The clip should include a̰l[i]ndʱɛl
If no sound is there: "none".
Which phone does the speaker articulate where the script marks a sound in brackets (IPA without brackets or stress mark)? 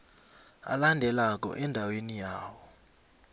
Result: a